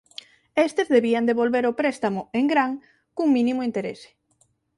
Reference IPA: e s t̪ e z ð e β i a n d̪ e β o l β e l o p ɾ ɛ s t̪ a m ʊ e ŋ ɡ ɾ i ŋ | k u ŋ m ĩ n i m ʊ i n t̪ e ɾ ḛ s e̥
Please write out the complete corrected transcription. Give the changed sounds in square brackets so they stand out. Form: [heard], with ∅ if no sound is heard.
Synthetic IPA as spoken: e s t̪ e z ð e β i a n d̪ e β o l β e [ɾ] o p ɾ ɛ s t̪ a m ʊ e ŋ ɡ ɾ [a] ŋ | k u ŋ m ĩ n i m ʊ i n t̪ e ɾ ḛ s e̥